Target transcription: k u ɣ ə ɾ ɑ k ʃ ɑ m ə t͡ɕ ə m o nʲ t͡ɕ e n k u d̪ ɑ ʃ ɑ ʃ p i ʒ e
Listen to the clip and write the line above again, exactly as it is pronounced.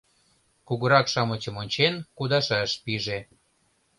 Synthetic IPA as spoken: k u ɣ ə ɾ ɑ k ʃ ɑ m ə t͡ɕ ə m o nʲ t͡ɕ e n k u d̪ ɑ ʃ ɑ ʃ p i ʒ e